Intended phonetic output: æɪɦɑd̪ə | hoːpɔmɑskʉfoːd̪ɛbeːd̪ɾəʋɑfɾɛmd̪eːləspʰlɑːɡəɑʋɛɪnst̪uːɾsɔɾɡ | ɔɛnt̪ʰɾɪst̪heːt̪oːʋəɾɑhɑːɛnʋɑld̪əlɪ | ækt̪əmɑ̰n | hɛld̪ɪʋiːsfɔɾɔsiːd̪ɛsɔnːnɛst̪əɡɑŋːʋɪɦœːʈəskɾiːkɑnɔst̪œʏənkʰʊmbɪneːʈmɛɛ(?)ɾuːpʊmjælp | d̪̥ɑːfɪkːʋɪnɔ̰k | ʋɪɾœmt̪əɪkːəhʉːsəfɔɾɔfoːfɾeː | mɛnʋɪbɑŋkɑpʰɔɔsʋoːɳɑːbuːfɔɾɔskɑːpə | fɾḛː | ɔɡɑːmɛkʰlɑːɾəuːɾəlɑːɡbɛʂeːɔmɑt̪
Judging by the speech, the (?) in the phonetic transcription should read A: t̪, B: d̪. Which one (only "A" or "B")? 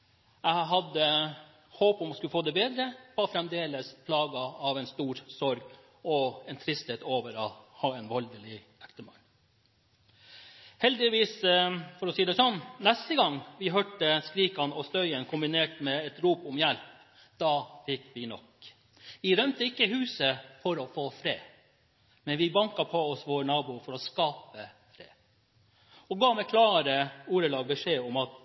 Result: A